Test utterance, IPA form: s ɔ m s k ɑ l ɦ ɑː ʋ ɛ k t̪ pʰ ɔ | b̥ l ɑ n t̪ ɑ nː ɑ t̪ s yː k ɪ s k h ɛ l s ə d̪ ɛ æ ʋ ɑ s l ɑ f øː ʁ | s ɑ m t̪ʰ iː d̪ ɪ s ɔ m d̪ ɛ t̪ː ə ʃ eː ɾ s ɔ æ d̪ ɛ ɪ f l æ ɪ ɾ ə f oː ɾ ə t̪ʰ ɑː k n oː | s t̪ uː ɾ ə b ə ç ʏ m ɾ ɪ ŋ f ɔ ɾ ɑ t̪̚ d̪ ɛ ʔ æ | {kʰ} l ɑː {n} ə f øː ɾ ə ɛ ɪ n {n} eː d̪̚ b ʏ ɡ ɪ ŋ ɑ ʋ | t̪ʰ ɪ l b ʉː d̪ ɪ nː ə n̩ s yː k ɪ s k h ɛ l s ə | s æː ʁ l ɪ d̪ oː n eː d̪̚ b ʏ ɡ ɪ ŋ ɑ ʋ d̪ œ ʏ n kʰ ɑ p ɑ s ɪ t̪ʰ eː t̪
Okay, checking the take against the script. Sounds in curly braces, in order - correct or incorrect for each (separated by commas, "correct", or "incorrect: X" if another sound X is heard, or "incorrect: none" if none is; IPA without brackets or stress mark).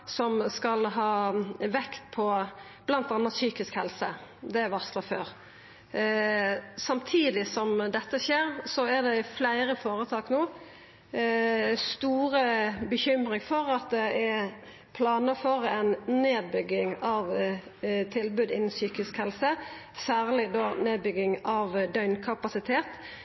incorrect: pʰ, correct, correct